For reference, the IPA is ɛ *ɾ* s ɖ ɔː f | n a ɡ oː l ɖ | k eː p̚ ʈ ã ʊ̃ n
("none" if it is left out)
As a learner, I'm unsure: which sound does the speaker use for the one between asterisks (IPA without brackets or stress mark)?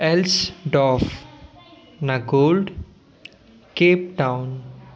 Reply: l